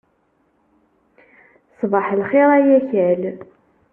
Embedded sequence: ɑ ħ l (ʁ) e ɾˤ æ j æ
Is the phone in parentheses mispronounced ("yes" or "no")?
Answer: yes